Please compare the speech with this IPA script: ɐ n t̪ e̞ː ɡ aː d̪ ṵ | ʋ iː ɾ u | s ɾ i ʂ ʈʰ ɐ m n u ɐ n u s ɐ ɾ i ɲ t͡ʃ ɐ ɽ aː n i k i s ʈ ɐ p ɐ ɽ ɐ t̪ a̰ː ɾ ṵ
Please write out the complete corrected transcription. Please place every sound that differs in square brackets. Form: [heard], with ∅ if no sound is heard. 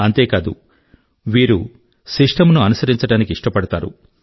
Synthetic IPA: ɐ n t̪ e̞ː [k] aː d̪ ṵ | ʋ iː ɾ u | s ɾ i ʂ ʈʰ ɐ m n u ɐ n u s ɐ ɾ i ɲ t͡ʃ ɐ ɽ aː n i k i [ʂ] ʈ ɐ p ɐ ɽ ɐ t̪ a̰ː ɾ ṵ